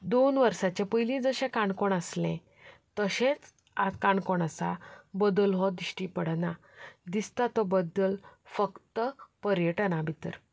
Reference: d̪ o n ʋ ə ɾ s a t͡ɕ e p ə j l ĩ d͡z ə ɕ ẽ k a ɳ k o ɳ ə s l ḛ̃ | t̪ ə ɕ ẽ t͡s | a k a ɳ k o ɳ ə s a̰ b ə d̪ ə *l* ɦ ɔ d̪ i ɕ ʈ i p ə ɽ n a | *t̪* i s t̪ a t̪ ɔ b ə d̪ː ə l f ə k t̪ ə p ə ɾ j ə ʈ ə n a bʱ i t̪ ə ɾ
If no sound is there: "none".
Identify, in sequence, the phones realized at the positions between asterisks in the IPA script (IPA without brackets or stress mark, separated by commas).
l, d̪